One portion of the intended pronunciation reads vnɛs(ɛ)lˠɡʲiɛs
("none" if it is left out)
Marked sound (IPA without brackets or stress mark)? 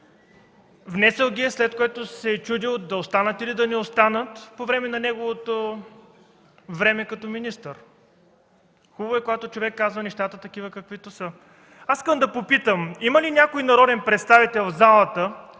ɛ